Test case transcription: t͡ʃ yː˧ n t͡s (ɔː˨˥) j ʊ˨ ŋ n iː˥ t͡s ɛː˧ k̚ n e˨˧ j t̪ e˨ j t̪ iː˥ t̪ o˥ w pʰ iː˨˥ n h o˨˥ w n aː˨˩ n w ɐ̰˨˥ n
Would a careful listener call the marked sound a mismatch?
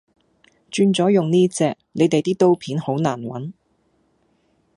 no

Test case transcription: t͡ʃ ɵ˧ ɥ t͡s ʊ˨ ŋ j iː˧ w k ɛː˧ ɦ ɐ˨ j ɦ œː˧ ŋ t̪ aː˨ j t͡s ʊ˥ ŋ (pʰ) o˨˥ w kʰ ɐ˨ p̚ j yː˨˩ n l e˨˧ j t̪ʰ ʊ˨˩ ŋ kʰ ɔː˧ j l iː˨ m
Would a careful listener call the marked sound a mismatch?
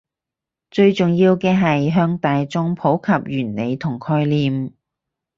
no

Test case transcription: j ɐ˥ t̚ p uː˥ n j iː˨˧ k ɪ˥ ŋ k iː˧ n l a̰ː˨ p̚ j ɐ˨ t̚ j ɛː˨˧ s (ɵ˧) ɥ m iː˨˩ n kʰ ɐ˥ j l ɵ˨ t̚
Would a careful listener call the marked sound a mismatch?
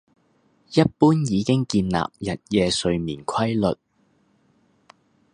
no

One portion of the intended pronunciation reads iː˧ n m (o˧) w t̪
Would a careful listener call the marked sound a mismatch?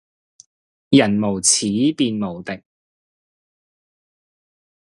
yes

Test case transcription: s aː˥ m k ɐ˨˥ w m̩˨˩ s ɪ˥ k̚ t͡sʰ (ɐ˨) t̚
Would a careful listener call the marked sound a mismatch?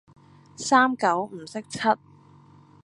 yes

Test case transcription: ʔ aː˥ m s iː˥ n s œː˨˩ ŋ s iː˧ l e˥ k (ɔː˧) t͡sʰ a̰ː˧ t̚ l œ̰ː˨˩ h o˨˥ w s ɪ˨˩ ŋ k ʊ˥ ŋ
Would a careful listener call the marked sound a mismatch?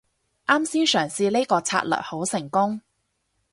no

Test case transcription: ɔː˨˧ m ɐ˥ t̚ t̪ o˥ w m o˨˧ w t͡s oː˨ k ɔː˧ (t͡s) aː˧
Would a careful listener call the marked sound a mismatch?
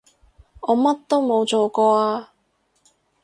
yes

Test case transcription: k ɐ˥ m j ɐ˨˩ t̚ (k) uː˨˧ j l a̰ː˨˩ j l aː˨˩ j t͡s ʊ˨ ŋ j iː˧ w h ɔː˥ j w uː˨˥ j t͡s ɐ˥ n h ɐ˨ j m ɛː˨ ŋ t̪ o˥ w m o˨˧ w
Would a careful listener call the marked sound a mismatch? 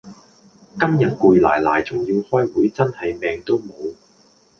no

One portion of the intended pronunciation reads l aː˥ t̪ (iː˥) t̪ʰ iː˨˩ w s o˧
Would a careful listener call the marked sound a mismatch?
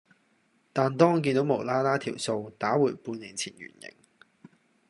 yes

